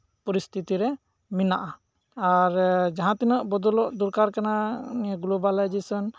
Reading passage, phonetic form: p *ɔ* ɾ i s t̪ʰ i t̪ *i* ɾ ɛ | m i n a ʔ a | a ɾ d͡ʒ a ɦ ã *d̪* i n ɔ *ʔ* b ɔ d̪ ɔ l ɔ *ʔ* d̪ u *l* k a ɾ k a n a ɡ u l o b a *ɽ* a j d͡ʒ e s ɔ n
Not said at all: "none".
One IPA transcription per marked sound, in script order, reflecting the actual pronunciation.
ɔ, i, t̪, ʔ, ʔ, ɾ, l

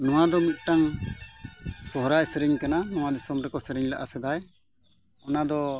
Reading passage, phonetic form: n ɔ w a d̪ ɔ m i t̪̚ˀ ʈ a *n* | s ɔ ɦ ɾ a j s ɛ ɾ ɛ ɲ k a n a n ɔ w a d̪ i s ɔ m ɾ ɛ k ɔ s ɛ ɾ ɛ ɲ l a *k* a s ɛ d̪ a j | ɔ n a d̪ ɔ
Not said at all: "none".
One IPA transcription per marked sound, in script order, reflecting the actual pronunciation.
ŋ, ʔ

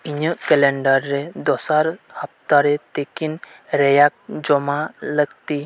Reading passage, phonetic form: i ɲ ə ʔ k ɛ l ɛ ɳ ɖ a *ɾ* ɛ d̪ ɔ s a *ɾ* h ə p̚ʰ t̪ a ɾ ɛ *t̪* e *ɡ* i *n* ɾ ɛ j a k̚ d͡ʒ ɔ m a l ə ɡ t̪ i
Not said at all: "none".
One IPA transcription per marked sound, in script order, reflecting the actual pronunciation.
ɾː, ɾ, t̪, k, n

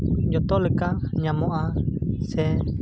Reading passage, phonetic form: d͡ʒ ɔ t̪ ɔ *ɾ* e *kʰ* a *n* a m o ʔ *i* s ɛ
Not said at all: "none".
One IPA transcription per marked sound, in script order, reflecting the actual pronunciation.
l, k, ɲ, a

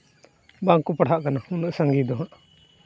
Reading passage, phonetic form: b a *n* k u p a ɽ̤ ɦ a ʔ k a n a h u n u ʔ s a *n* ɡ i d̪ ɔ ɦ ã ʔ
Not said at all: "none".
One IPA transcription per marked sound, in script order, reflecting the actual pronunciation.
ŋ, ŋ

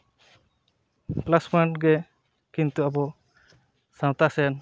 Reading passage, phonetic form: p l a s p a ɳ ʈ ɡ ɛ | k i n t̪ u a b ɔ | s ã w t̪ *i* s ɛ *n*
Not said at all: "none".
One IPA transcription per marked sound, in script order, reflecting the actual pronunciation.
a, n

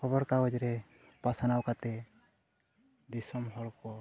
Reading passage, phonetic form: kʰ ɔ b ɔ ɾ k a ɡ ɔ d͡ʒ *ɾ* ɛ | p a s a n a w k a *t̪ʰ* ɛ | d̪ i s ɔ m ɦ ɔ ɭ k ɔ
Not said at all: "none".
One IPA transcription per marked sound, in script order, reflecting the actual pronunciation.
ɾ, t̪

